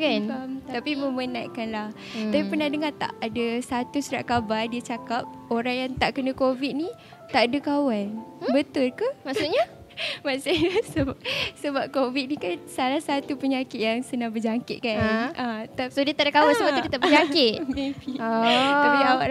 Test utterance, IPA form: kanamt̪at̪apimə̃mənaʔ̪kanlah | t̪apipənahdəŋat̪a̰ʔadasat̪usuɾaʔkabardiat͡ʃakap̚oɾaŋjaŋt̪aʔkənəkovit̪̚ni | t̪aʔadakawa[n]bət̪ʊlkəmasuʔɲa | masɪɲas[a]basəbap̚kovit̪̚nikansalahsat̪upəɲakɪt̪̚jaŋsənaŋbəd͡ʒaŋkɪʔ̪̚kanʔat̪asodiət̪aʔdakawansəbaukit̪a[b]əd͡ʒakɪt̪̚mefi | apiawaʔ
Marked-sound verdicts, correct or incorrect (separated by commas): correct, incorrect, correct